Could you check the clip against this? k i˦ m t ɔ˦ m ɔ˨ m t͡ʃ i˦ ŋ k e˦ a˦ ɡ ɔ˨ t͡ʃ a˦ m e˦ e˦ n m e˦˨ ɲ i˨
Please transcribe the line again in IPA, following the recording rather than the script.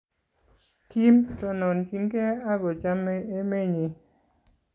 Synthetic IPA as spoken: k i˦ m t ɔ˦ n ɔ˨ n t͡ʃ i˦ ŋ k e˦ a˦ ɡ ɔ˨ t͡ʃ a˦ m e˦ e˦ m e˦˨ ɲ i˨